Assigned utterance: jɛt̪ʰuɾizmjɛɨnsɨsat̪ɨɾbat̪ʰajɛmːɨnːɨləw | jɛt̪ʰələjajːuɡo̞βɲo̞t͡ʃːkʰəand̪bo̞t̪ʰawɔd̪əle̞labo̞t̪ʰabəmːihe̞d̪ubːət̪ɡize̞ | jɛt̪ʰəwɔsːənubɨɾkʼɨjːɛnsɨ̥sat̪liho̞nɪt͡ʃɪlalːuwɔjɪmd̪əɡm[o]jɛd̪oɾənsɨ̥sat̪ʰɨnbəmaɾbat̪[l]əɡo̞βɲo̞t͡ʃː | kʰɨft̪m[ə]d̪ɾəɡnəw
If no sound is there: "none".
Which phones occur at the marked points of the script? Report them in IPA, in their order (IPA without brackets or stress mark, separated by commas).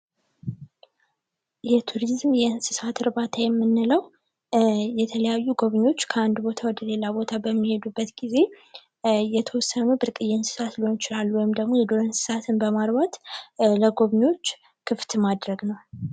o, l, a